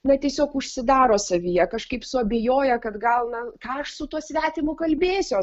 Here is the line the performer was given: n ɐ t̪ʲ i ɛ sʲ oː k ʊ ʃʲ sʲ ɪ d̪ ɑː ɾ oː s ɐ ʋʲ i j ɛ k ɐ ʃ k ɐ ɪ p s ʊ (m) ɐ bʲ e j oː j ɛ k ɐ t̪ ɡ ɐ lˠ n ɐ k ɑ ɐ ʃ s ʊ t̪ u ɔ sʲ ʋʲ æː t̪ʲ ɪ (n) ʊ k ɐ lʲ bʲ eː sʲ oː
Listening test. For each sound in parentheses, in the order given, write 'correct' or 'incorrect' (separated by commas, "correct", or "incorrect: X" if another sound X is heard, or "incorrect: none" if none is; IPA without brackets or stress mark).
incorrect: none, incorrect: m